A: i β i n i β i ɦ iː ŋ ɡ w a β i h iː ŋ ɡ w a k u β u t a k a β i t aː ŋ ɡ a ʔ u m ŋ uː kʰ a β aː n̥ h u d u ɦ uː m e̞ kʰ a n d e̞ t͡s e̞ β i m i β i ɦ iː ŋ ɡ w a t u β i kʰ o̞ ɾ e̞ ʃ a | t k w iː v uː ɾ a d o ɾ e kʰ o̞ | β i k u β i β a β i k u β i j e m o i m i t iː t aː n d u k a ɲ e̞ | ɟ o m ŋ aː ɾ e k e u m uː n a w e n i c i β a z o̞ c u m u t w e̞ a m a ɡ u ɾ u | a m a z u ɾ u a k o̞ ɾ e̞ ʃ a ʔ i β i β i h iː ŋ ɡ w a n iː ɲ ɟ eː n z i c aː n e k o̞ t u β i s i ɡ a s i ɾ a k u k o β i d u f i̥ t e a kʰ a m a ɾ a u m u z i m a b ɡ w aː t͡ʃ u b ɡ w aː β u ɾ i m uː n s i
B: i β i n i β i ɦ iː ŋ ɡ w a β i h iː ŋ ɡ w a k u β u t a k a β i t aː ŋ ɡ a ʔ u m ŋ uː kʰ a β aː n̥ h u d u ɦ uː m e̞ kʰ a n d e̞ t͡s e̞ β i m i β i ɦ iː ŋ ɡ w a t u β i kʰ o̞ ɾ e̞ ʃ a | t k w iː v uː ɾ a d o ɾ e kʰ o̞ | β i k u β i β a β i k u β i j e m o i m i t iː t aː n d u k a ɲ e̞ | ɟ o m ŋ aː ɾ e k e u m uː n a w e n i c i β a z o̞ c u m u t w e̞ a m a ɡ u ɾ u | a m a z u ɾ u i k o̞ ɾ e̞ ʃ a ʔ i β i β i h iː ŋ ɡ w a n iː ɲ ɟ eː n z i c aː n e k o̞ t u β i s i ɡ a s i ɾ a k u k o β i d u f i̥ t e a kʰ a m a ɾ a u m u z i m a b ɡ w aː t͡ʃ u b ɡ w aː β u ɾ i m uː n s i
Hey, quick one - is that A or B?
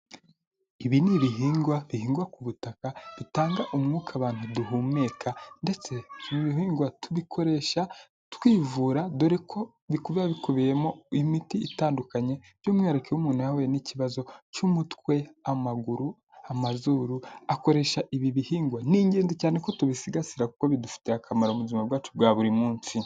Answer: A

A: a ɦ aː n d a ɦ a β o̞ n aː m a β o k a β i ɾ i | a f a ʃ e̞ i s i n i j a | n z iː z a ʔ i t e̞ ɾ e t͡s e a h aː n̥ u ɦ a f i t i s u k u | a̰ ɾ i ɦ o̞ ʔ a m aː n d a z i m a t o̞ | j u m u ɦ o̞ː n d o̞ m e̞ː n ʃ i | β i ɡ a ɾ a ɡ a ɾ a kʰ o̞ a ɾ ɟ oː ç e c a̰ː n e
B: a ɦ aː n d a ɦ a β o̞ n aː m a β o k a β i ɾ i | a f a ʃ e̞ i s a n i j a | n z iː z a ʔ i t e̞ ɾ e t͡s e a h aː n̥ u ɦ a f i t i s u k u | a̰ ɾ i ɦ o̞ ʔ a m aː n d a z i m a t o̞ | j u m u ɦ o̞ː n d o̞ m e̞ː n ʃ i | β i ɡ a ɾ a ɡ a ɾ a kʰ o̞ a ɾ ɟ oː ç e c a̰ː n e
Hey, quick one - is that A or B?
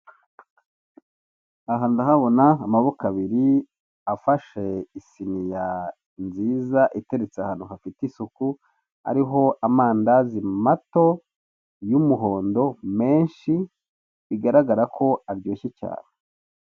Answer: A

